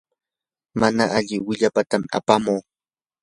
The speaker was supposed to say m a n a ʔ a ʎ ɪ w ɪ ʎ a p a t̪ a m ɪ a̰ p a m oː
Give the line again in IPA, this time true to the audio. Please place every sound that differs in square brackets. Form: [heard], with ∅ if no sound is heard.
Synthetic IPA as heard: m a n a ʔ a ʎ ɪ w ɪ ʎ a p a t̪ a m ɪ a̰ p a m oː